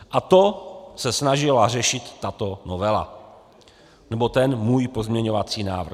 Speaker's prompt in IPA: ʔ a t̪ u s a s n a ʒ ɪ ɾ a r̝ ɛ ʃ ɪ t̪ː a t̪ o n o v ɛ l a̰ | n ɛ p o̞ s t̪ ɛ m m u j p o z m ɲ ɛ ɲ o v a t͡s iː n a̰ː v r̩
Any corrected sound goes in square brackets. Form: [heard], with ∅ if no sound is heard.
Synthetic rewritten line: ʔ a t̪ [o] s [ɛ] s n a ʒ ɪ [l] a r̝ ɛ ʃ ɪ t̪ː a t̪ o n o v ɛ l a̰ | n ɛ [b] o̞ [∅] t̪ ɛ [n] m [uː] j p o z m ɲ ɛ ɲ o v a t͡s iː n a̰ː v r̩